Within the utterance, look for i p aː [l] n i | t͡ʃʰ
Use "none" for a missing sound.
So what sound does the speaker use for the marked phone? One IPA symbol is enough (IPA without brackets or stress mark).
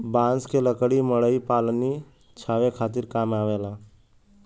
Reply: l